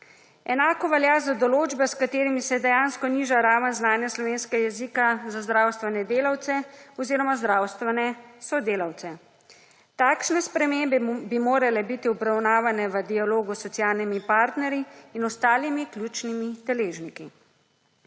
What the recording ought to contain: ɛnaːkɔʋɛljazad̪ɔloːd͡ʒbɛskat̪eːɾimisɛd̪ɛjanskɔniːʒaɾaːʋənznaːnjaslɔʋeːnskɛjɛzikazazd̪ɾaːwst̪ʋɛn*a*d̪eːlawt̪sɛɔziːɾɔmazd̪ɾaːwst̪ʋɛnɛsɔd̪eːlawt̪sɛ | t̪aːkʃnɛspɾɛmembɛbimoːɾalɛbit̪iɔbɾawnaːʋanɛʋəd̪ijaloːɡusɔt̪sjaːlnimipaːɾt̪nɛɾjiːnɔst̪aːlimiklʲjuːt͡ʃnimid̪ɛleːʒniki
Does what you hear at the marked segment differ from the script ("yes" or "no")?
yes